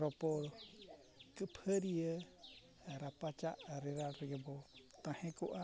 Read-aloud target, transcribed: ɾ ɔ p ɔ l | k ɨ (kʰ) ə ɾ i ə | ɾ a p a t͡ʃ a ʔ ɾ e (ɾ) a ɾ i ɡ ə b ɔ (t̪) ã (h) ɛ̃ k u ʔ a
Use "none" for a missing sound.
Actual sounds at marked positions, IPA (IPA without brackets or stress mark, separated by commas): pʰ, ɾ, t̪, h